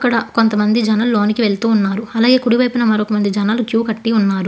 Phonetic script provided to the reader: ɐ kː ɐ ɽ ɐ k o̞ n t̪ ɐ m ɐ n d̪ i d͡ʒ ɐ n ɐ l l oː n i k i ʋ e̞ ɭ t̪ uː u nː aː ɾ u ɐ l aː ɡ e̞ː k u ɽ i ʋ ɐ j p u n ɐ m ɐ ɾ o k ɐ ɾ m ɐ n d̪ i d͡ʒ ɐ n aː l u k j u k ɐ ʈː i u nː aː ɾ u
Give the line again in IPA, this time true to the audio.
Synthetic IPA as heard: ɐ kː ɐ ɽ ɐ k o̞ n t̪ ɐ m ɐ n d̪ i d͡ʒ ɐ n ɐ l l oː n i k i ʋ e̞ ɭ t̪ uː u nː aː ɾ u ɐ l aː ɡ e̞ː k u ɽ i ʋ ɐ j p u n ɐ m ɐ ɾ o k ɐ m ɐ n d̪ i d͡ʒ ɐ n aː l u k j uː k ɐ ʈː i u nː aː ɾ u